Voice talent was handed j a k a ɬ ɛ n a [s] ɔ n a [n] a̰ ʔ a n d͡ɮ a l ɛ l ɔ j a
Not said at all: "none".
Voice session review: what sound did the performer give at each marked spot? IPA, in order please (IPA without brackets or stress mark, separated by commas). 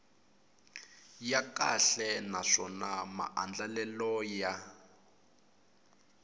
ʂ, m